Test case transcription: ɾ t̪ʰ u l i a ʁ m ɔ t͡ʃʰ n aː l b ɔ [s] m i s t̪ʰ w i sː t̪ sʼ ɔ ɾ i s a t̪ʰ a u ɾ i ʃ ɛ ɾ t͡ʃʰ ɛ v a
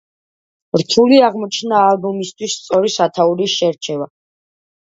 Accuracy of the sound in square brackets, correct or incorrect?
incorrect